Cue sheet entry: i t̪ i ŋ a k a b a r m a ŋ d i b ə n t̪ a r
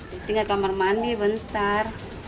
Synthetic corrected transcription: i t̪ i ŋ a k a m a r m a n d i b ə n t̪ a r